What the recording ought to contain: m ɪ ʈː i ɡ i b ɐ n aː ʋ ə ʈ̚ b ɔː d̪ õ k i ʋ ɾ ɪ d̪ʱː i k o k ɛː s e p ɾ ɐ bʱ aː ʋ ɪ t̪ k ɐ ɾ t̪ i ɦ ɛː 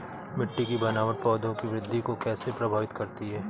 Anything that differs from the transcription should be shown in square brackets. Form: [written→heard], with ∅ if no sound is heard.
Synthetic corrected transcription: m ɪ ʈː i [ɡ→k] i b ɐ n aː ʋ ə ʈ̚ [b→p] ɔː d̪ õ k i ʋ ɾ ɪ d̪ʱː i k o k ɛː s e p ɾ ɐ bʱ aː ʋ ɪ t̪ k ɐ ɾ t̪ i ɦ ɛː